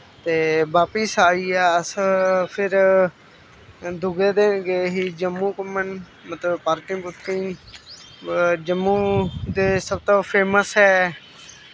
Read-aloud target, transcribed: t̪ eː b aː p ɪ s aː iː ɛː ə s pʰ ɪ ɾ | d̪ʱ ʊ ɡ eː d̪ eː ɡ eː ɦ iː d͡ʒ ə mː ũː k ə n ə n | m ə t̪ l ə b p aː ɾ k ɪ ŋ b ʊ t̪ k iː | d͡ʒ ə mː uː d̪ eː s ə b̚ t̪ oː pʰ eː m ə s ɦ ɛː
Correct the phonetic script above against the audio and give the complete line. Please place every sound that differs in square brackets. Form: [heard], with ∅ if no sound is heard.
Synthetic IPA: t̪ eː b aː p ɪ s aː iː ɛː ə s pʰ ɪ ɾ | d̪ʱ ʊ ɡ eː d̪ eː ɡ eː ɦ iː d͡ʒ ə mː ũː k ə [m] ə n | m ə t̪ l ə b p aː ɾ k ɪ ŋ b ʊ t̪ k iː | d͡ʒ ə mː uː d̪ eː s ə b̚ t̪ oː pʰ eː m ə s ɦ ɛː